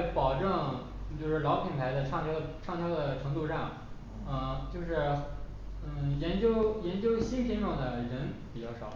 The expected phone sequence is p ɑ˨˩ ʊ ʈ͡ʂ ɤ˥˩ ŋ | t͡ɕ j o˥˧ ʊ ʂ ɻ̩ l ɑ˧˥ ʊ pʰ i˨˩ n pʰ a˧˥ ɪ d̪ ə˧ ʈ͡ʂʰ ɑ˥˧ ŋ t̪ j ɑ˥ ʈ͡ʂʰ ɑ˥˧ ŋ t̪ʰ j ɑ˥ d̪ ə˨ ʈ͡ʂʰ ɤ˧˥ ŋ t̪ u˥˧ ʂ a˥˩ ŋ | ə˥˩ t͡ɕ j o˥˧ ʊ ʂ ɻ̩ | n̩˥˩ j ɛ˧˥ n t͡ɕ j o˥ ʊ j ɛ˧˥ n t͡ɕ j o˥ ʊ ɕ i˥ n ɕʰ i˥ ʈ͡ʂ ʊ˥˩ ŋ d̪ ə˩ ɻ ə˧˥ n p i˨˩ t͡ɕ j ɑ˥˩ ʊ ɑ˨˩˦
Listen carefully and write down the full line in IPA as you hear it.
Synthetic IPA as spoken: p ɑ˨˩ ʊ ʈ͡ʂ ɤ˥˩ ŋ | t͡ɕ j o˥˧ ʊ ʂ ɻ̩ l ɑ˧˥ ʊ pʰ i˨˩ n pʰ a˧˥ ɪ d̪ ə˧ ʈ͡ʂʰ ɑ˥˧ ŋ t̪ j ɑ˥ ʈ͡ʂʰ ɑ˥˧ ŋ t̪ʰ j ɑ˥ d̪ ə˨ ʈ͡ʂʰ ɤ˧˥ ŋ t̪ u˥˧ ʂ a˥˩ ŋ | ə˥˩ t͡ɕ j o˥˧ ʊ ʂ ɻ̩ | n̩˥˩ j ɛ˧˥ n t͡ɕ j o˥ ʊ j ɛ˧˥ n t͡ɕ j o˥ ʊ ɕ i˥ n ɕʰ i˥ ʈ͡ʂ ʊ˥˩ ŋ d̪ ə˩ ɻ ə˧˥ n p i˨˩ t͡ɕ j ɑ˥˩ ʊ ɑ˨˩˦